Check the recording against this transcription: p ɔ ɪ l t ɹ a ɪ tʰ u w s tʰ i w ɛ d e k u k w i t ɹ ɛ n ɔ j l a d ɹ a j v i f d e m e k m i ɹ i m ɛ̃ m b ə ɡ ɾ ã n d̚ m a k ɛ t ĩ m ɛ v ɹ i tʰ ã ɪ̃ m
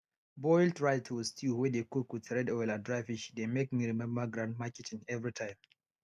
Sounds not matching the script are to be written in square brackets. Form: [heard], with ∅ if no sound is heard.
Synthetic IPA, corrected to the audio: [b] ɔ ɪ l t ɹ a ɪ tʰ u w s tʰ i w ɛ d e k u k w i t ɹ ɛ [d] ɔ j l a d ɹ a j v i [ʃ] d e m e k m i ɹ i m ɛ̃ m b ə ɡ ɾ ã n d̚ m a k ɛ t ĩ [ŋ] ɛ v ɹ i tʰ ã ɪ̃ m